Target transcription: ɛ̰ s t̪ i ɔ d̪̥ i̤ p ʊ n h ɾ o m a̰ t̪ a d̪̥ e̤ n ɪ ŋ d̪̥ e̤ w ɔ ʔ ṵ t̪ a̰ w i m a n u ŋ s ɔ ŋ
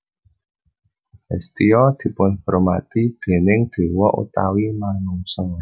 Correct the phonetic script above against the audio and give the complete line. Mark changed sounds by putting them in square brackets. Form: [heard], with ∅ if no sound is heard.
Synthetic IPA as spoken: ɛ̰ s t̪ i ɔ d̪̥ i̤ p ʊ n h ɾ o m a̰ t̪ [i] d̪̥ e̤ n ɪ ŋ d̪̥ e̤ w ɔ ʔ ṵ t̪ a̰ w i m a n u ŋ s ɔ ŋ